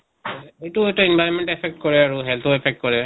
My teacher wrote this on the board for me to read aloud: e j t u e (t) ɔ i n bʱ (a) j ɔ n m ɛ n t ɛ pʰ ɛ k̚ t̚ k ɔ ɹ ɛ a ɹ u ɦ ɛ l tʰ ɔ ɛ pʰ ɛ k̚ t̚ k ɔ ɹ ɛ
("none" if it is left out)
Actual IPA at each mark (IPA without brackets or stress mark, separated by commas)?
t, a